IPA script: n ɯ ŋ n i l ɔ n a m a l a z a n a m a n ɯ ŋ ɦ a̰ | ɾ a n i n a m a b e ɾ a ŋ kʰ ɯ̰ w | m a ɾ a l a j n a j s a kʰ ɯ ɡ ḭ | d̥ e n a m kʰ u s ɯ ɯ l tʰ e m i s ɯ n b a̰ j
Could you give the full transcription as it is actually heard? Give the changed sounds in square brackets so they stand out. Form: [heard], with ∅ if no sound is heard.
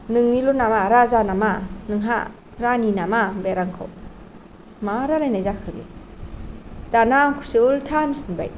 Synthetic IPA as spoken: n ɯ ŋ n i l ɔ n a m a [ɾ] a z a n a m a n ɯ ŋ ɦ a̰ | ɾ a n i n a m a b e ɾ a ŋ kʰ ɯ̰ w | m a ɾ a l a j n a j [z] a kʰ ɯ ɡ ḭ | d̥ [a] n a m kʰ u s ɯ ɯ l tʰ [a] m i s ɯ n b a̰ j